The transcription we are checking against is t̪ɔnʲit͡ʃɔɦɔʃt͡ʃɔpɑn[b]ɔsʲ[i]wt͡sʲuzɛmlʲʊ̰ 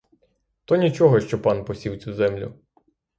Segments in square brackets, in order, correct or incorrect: incorrect: p, correct

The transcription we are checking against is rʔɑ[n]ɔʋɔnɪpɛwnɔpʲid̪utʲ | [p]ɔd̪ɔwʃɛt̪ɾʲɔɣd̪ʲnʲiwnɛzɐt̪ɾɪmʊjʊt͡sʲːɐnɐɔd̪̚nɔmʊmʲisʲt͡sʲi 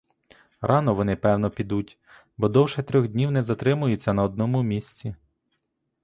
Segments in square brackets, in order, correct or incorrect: correct, incorrect: b

